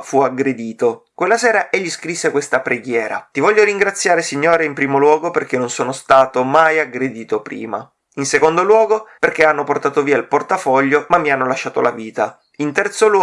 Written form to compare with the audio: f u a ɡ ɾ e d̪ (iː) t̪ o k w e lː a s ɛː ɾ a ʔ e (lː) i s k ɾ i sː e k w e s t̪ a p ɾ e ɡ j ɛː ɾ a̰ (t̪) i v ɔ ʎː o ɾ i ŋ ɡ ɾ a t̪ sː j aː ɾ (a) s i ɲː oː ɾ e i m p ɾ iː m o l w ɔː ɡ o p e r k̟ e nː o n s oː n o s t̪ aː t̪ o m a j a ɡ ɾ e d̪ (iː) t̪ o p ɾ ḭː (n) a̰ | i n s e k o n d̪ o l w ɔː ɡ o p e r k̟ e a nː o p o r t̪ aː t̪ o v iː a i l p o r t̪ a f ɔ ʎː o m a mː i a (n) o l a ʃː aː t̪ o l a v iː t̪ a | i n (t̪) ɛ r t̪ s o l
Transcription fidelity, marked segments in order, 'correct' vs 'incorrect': correct, incorrect: ʎː, correct, incorrect: e, correct, incorrect: m, incorrect: nː, correct

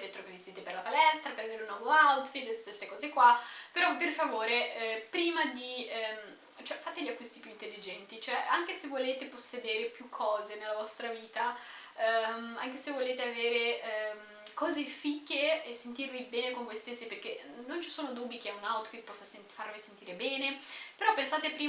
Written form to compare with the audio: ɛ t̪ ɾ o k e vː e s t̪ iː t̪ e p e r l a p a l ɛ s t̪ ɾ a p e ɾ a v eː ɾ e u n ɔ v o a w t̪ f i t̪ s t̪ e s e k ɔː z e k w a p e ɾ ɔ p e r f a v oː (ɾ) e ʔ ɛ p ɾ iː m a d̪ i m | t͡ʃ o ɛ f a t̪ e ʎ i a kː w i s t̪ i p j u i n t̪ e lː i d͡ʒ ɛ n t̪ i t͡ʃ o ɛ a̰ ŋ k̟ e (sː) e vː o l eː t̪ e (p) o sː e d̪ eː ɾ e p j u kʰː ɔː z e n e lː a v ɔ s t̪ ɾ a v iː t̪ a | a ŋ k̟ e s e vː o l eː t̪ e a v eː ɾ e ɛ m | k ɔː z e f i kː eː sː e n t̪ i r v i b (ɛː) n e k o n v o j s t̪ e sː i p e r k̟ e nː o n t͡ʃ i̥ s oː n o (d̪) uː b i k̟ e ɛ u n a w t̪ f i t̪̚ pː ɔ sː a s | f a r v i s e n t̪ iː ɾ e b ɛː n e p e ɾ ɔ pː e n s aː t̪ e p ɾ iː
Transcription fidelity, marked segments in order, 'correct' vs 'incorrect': correct, incorrect: s, correct, correct, correct

